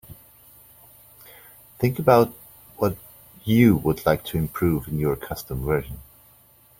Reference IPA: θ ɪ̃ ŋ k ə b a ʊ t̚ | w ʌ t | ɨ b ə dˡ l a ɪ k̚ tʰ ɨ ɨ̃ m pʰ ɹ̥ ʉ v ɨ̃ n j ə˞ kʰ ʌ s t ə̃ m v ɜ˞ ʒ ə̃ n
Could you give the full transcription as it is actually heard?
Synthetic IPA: θ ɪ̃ ŋ k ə b a ʊ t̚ | w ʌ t | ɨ w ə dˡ l a ɪ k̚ tʰ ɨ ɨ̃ m pʰ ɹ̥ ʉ v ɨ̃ n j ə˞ kʰ ʌ s t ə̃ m v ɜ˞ ʒ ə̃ n

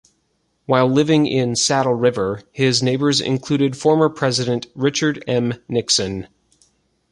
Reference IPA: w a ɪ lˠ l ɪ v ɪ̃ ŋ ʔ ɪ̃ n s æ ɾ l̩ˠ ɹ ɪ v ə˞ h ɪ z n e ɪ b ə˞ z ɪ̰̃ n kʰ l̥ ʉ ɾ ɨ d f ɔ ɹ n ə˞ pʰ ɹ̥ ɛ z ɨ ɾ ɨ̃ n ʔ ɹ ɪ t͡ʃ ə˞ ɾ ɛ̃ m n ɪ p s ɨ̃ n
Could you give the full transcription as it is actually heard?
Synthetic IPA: w a ɪ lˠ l ɪ v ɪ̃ ŋ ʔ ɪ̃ n s æ ɾ l̩ˠ ɹ ɪ v ə˞ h ɪ z n e ɪ b ə˞ z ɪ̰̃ n kʰ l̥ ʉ ɾ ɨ d f ɔ ɹ m ə˞ pʰ ɹ̥ ɛ z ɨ ɾ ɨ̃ n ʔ ɹ ɪ t͡ʃ ə˞ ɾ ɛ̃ m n ɪ k s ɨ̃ n

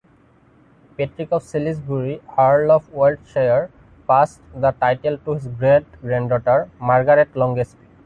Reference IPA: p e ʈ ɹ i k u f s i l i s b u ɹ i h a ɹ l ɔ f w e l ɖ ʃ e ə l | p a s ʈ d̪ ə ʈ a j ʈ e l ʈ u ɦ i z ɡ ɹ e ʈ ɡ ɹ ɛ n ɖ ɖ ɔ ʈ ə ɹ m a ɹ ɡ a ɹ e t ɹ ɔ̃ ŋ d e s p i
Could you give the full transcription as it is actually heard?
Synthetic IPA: p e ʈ ɹ i k ɔ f s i l i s b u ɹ i h a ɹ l ɔ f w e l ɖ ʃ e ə ɹ | p a s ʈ d̪ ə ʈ a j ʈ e l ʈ u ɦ i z ɡ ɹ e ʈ ɡ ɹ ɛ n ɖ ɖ ɔ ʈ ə ɹ m a ɹ ɡ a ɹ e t l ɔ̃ ŋ ɡ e s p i

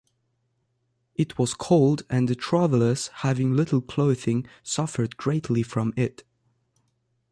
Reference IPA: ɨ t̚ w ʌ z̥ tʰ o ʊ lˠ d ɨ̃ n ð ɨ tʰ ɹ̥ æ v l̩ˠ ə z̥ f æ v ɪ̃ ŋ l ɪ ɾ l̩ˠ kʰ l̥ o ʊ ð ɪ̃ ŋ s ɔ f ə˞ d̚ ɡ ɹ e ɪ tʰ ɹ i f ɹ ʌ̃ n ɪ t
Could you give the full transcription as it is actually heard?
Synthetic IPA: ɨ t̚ w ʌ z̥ kʰ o ʊ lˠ d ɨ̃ n ð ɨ tʰ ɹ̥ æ v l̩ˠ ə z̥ h æ v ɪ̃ ŋ l ɪ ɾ l̩ˠ kʰ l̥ o ʊ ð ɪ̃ ŋ s ʌ f ə˞ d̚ ɡ ɹ e ɪ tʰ l i f ɹ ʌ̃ m ɪ t

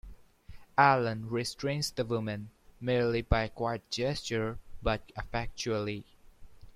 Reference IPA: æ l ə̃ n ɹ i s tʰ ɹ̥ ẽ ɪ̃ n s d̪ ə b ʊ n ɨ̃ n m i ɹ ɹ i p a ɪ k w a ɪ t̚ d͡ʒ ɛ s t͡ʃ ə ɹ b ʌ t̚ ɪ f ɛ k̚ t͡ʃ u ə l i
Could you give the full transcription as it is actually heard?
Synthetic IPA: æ l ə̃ n ɹ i s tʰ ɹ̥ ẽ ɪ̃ n s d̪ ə w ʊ m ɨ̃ n m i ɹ l i b a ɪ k w a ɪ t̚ d͡ʒ ɛ s t͡ʃ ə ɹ b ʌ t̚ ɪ f ɛ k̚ t͡ʃ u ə l i

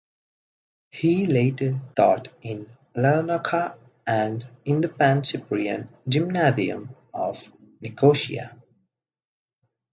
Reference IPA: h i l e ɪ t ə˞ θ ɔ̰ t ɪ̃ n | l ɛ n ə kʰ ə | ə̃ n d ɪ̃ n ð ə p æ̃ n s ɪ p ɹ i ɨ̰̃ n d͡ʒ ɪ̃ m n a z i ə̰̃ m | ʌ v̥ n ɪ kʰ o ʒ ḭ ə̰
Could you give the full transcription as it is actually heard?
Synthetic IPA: h i l e ɪ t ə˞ θ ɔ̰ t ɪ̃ n | l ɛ n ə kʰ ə | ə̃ n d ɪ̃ n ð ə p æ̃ n s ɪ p ɹ i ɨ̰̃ n d͡ʒ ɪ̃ m n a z i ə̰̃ m | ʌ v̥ n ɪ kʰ o ʃ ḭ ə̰

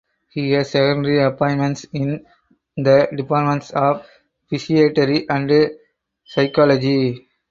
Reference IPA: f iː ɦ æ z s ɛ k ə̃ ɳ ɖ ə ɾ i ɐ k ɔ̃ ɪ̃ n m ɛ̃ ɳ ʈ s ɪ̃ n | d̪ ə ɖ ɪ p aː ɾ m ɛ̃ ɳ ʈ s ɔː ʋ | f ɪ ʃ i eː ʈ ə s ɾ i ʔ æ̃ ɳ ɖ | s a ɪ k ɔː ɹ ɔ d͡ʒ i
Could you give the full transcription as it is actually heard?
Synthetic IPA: h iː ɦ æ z s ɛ k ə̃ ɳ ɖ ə ɾ i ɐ p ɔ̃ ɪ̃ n m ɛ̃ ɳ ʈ s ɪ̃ n | d̪ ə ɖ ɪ p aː ɾ m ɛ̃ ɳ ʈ s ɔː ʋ | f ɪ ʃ i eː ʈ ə ɾ i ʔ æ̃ ɳ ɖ | s a ɪ k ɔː l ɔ d͡ʒ i

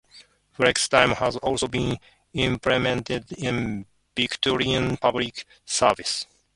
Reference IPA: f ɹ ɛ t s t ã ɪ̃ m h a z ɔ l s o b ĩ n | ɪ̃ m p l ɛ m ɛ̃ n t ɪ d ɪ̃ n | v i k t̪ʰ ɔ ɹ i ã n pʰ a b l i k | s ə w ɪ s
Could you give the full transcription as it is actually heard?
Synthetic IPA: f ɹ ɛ k s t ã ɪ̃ m h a z ɔ l s o b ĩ n | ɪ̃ m p l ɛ m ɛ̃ n t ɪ d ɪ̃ n | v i k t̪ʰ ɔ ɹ i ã n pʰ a b l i k | s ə v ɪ s

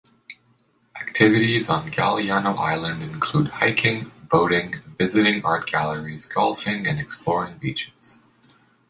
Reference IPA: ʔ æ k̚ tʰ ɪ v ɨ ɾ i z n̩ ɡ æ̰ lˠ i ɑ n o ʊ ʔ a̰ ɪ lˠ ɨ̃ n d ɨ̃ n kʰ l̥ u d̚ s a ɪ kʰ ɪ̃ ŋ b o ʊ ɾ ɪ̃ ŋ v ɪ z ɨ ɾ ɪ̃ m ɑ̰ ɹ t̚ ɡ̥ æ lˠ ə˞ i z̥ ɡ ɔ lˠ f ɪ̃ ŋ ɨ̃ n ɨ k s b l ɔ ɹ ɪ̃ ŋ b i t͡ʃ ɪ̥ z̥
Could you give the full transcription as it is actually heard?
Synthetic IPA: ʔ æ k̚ tʰ ɪ v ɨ ɾ i z n̩ ɡ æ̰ lˠ i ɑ n o ʊ ʔ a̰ ɪ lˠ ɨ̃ n d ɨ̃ n kʰ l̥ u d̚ h a ɪ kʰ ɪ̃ ŋ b o ʊ ɾ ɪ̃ ŋ v ɪ z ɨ ɾ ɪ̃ ŋ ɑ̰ ɹ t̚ ɡ̥ æ lˠ ə˞ i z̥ ɡ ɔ lˠ f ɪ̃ ŋ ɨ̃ n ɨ k s p l ɔ ɹ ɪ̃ ŋ b i t͡ʃ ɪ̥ z̥

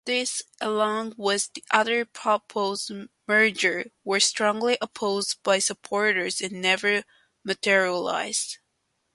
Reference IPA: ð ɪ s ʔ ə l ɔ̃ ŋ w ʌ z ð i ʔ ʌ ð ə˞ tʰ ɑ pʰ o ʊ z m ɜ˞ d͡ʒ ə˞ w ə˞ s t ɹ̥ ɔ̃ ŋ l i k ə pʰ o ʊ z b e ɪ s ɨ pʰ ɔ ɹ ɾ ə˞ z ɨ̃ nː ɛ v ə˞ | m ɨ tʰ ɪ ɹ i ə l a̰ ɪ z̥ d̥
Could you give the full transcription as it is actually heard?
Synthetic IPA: ð ɪ s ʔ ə l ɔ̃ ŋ w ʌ z ð i ʔ ʌ ð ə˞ pʰ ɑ pʰ o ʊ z m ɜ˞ d͡ʒ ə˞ w ə˞ s t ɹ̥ ɔ̃ ŋ l i ʔ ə pʰ o ʊ z b a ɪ s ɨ pʰ ɔ ɹ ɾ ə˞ z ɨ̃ nː ɛ v ə˞ | m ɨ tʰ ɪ ɹ i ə l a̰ ɪ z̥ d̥

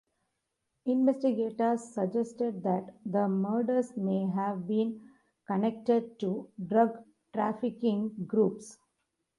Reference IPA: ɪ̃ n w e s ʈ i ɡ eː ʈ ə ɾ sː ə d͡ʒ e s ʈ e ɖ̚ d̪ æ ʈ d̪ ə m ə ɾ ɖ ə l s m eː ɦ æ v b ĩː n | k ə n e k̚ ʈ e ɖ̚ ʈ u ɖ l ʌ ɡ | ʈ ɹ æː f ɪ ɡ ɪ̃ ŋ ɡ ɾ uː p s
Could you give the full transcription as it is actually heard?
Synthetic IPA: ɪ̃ n ʋ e s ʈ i ɡ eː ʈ ə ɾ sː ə d͡ʒ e s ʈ e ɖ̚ d̪ æ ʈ d̪ ə m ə ɾ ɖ ə ɾ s m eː ɦ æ ʋ b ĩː n | k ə n e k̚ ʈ e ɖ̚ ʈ u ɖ ɾ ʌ ɡ | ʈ ɾ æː f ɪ k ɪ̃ ŋ ɡ ɾ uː p s

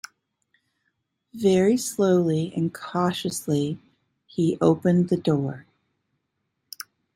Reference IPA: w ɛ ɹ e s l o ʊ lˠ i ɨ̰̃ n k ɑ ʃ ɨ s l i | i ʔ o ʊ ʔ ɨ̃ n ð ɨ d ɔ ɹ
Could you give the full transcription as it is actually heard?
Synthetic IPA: v ɛ ɹ i s l o ʊ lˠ i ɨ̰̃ n kʰ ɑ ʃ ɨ s l i | i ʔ o ʊ p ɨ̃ n ð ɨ d ɔ ɹ

